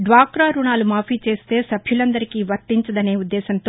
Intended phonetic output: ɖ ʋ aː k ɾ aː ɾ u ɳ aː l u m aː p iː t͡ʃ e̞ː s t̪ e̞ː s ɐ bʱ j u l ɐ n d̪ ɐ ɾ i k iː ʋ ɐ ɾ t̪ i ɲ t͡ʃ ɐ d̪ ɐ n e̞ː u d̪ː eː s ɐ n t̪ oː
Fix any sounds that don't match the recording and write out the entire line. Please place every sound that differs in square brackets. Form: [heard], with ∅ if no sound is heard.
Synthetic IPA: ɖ ʋ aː k ɾ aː ɾ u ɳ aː l u m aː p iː t͡ʃ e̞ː s t̪ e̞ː s ɐ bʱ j u l ɐ n d̪ ɐ ɾ i k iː ʋ ɐ ɾ t̪ i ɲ t͡ʃ ɐ d̪ ɐ n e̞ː u d̪ː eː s ɐ n t̪ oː